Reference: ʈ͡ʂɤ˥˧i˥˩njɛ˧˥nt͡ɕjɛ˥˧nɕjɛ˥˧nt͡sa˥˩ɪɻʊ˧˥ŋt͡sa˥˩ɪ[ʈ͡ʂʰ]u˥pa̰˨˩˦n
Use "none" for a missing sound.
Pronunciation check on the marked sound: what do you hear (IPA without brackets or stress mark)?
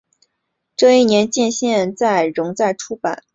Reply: ʈ͡ʂʰ